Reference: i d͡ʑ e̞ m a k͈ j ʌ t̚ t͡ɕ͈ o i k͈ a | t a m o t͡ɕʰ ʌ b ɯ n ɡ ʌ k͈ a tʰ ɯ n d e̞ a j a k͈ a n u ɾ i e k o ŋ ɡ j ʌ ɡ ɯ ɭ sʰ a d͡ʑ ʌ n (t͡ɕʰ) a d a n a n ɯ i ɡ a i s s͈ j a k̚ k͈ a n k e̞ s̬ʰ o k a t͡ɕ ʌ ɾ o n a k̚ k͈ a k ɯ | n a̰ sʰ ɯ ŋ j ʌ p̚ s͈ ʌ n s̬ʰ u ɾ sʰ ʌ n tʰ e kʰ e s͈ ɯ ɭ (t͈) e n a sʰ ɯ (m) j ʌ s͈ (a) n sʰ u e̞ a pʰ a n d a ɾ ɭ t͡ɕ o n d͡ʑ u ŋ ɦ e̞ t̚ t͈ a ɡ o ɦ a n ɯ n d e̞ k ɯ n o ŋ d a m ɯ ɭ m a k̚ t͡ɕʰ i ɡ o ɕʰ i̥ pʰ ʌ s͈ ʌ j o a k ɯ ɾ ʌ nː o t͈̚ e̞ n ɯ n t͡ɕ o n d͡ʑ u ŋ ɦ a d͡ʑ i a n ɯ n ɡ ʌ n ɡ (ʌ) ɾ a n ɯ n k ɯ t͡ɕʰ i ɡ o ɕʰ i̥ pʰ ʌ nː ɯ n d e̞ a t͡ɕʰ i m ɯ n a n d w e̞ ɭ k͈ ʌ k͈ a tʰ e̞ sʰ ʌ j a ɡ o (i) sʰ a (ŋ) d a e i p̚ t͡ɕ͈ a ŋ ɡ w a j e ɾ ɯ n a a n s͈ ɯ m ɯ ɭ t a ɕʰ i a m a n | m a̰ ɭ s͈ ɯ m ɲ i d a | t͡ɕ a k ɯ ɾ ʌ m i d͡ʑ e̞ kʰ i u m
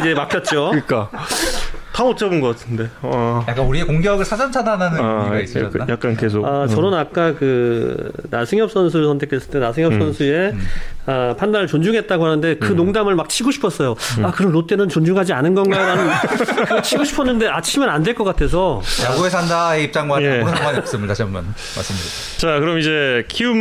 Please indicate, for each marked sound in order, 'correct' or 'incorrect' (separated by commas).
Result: correct, correct, incorrect, incorrect, incorrect, incorrect, incorrect